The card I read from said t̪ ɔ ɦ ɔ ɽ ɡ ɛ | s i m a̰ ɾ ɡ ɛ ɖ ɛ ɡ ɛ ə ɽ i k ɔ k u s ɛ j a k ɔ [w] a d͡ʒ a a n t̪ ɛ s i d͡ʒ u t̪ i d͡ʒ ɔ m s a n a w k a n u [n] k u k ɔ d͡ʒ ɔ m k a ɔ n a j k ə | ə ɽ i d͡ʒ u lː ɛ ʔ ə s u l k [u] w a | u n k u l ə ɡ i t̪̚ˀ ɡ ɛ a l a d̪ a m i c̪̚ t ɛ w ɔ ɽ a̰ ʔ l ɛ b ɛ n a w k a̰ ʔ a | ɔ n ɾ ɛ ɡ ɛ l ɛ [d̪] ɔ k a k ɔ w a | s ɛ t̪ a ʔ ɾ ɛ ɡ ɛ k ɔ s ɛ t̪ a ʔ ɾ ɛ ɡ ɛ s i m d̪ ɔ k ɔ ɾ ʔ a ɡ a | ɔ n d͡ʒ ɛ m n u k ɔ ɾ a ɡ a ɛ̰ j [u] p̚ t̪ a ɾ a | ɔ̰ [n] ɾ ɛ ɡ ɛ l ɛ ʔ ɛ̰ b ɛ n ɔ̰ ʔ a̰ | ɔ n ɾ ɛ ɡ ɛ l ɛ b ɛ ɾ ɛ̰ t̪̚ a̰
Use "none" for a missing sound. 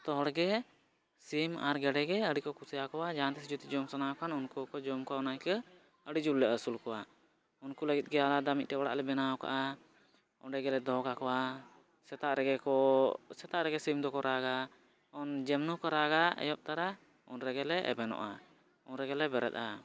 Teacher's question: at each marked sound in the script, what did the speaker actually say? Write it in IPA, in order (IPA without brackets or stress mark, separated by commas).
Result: w, n, ɔ, d̪, ɔ, n